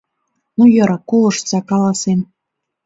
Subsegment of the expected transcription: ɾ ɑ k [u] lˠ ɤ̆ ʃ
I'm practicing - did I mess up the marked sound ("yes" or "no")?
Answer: yes